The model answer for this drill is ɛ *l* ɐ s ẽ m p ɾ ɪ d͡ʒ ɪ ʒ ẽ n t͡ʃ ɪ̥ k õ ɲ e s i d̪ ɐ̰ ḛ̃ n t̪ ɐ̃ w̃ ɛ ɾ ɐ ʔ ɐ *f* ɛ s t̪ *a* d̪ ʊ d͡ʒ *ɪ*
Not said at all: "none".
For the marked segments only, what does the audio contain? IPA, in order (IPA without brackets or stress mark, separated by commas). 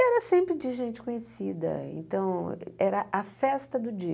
ɾ, f, ɐ, i